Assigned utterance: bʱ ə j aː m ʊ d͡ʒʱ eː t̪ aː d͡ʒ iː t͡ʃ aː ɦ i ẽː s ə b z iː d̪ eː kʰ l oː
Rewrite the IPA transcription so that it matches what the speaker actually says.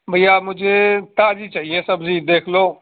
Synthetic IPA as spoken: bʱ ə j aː m ʊ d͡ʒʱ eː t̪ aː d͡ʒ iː t͡ʃ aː ɦ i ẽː s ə b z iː d̪ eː kʰ l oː